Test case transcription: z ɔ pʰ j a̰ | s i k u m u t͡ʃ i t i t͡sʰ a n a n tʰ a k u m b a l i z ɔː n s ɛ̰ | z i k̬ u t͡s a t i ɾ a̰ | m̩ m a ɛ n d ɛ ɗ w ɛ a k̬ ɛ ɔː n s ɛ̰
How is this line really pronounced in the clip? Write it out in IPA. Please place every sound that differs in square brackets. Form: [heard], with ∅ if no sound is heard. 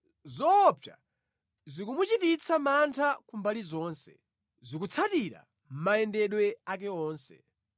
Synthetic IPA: z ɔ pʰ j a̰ | [z] i k u m u t͡ʃ i t i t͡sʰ a [m] a n tʰ a k u m b a l i z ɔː n s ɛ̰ | z i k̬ u [t͡sʰ] a t i ɾ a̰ | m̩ m a ɛ n d ɛ ɗ w ɛ a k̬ ɛ ɔː n s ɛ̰

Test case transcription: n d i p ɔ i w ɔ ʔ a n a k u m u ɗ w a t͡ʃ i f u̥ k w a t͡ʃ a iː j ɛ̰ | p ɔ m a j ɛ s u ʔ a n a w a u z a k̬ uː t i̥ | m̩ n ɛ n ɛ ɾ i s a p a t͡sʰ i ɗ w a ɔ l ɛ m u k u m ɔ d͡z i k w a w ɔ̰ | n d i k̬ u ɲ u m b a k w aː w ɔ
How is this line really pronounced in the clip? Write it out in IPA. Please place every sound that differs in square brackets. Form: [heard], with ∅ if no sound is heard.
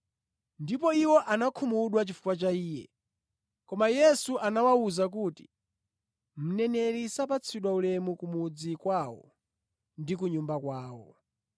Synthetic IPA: n d i p ɔ i w ɔ ʔ a n a [kʰ] u m u ɗ w a t͡ʃ i f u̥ k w a t͡ʃ a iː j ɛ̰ | [k] ɔ m a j ɛ s u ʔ a n a w a u z a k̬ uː t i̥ | m̩ n ɛ n ɛ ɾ i s a p a t͡sʰ i ɗ w a [u] l ɛ m u k u m [u] d͡z i k w a w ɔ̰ | n d i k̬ u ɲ u m b a k w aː w ɔ

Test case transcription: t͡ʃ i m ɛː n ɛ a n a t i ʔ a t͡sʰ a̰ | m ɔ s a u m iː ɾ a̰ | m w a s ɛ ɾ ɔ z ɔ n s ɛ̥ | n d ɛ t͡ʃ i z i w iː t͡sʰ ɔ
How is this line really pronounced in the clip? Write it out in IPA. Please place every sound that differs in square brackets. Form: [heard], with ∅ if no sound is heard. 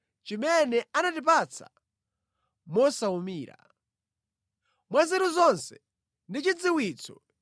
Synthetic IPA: t͡ʃ i m [ɛ] n ɛ a n a t i [p] a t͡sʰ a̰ | m ɔ s a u m iː ɾ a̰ | m w a [z] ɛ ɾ [u] z ɔ n s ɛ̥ | n d [i] t͡ʃ i [d͡z] i w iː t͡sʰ ɔ

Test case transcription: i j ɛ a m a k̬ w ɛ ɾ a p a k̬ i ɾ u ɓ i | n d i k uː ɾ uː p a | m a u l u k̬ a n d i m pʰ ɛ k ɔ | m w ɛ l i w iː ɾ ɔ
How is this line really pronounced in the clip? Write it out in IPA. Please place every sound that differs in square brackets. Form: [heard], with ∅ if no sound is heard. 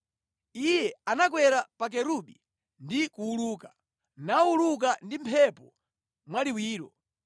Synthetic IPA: i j ɛ a [n] a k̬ w ɛ ɾ a p a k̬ [ɛ] ɾ u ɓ i | n d i k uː [l] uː [k] a | [n] a u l u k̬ a n d i m pʰ ɛ [p] ɔ | m w [a] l i w iː ɾ ɔ

